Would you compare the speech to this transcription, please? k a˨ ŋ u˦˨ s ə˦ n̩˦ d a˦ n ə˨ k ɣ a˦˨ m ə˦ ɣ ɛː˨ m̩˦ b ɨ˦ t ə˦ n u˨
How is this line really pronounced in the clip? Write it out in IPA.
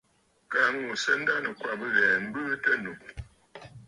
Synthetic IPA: k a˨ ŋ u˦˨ s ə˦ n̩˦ d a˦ n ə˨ k w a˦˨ b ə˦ ɣ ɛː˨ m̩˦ b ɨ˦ t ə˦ n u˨